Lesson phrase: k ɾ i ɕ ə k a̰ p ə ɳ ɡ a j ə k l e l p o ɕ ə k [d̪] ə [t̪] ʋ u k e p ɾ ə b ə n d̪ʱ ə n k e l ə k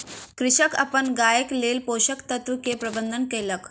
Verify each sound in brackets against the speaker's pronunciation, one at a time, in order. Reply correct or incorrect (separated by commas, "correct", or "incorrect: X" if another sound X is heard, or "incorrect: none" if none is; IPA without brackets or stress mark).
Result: incorrect: t̪, correct